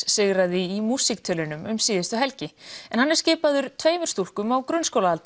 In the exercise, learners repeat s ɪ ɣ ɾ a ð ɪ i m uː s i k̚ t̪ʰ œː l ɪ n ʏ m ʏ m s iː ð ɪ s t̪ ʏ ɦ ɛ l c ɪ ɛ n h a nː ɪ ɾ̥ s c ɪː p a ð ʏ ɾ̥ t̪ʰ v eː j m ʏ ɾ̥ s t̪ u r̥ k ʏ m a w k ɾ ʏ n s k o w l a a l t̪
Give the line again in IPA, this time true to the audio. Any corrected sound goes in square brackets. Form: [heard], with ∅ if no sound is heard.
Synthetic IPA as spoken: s ɪ ɣ ɾ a ð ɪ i m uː s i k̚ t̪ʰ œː l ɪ n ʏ m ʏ m s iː ð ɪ s t̪ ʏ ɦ ɛ l c ɪ ɛ n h a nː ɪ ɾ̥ s c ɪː p a ð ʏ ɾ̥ t̪ʰ v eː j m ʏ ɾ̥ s t̪ u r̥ k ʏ m a w k ɾ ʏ n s k o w l a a l t̪

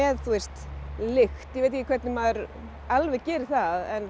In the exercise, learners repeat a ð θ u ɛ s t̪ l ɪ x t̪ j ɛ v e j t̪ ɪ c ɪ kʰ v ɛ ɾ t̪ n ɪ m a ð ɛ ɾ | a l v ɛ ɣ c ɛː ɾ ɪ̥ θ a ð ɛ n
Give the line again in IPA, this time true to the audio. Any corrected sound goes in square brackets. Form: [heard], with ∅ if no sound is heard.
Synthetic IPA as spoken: [ɛ] ð θ u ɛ s t̪ l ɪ x t̪ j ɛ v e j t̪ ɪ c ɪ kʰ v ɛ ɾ t̪ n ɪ m a ð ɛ ɾ | a l v ɛ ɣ c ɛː ɾ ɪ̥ θ a ð ɛ n

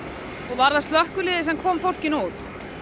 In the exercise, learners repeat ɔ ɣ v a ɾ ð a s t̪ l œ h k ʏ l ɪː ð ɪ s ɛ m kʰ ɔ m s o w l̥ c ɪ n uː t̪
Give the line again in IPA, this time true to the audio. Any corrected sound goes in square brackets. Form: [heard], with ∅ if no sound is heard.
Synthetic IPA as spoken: ɔ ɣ v a ɾ ð a s t̪ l œ h k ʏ l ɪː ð ɪ s ɛ m kʰ [ɔː] m [f] o w l̥ c ɪ n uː t̪

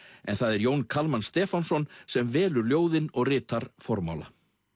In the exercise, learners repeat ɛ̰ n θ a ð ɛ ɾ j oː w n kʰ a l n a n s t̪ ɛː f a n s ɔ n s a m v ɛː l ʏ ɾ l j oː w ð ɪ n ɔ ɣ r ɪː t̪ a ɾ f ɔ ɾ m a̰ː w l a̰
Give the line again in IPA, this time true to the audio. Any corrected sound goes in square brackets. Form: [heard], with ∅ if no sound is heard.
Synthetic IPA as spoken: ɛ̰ n θ a ð ɛ ɾ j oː w n kʰ a l [m] a n s t̪ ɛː f a n s ɔ n s [ɛ] m v ɛː l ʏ ɾ l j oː w ð ɪ n ɔ ɣ r ɪː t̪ a ɾ f ɔ ɾ m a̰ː w l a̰

